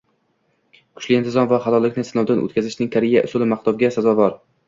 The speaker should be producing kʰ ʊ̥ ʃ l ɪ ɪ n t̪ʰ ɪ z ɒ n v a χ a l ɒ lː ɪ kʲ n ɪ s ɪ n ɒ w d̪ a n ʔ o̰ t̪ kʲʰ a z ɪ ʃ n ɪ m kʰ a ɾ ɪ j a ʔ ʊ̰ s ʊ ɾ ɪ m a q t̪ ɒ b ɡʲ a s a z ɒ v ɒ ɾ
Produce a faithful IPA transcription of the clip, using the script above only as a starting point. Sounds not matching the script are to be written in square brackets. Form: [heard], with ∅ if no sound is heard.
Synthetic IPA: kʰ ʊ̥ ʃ l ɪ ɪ n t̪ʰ ɪ z ɒ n v a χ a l ɒ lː ɪ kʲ n ɪ s ɪ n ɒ w d̪ a n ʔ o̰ t̪ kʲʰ a z ɪ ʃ n ɪ [ŋ] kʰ a ɾ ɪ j a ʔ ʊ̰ s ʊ [l] ɪ m a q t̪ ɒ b ɡʲ a s a z ɒ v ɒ ɾ